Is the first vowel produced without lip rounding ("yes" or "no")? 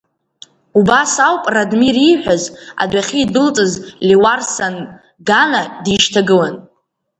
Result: no